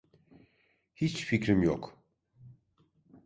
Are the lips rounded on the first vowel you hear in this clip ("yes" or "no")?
no